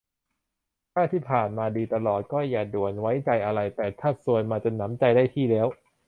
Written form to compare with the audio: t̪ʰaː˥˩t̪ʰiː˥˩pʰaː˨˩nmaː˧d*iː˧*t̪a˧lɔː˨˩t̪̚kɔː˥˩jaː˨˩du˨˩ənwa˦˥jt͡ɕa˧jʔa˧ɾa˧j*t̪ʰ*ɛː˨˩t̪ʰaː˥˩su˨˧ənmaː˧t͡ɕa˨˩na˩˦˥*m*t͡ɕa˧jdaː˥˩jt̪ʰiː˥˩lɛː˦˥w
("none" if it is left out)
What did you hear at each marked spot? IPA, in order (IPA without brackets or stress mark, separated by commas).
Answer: iː˧, t̪, m